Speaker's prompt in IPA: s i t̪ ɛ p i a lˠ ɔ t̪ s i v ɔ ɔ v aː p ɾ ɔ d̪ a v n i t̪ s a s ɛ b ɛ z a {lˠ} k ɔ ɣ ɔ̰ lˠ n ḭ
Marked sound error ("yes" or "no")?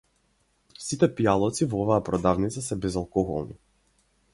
no